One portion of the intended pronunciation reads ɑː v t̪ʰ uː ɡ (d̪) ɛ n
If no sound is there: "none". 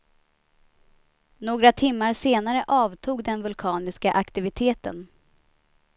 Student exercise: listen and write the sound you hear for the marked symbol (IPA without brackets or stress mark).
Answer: d̪